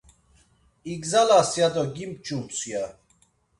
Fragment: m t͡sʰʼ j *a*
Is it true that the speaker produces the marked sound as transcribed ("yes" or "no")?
yes